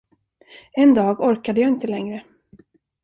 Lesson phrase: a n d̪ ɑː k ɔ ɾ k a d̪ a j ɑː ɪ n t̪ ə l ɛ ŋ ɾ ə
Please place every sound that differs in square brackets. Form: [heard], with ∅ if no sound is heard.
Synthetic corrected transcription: [ɛ] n d̪ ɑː [ɡ] ɔ ɾ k a d̪ [ə] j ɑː ɪ n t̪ ə l ɛ ŋ ɾ ə